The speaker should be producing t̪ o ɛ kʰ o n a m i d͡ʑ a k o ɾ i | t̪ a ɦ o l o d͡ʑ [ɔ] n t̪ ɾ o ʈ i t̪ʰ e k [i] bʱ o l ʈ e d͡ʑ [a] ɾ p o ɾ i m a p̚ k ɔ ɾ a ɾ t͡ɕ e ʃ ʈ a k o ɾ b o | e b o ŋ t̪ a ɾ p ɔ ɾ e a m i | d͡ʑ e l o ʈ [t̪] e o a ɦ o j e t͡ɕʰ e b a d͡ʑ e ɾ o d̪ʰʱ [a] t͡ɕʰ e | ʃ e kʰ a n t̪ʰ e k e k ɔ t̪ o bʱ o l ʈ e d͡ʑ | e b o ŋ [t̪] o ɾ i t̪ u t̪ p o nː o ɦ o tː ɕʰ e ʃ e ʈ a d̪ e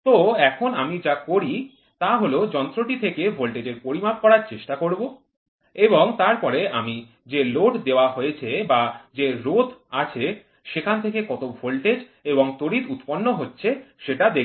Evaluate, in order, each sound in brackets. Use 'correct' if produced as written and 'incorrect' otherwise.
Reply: correct, incorrect, incorrect, incorrect, correct, correct

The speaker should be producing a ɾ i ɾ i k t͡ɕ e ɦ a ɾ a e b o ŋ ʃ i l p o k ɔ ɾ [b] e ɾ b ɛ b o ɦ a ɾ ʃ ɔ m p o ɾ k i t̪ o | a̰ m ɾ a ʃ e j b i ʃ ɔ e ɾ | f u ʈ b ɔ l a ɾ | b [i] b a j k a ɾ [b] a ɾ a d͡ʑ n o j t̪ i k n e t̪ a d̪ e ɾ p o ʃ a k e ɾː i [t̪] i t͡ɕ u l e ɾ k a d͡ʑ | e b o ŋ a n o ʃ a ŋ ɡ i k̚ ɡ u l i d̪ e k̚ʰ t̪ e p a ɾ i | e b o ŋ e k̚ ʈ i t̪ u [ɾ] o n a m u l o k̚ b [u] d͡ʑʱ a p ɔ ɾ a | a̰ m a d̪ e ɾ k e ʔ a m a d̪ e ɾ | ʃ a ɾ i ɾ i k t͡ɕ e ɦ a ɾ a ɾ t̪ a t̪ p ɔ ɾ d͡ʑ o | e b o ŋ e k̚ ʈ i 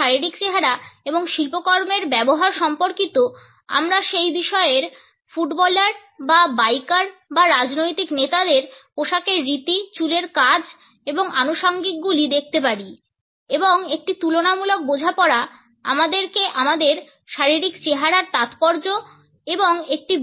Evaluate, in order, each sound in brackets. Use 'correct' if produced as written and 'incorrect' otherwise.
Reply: incorrect, incorrect, correct, correct, incorrect, incorrect

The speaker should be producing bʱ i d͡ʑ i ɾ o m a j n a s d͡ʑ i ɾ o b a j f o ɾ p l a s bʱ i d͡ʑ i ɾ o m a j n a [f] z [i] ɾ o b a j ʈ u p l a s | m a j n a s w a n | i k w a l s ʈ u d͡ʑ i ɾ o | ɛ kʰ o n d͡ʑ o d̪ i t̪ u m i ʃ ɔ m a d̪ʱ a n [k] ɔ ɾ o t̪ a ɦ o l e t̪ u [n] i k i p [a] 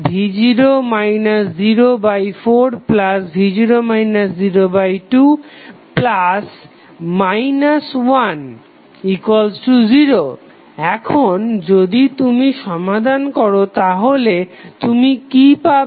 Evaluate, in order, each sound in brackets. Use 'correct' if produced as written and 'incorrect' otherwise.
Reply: incorrect, correct, correct, incorrect, correct

